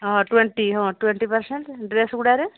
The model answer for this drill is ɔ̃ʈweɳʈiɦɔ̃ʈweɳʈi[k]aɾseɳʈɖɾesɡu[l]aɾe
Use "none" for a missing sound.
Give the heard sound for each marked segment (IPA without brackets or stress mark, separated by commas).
p, ɽ